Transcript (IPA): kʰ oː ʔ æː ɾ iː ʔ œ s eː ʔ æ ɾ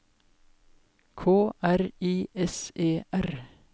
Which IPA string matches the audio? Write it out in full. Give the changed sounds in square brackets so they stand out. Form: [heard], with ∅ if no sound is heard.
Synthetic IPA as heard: kʰ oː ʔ [æ] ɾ iː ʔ [ɛ] s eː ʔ æ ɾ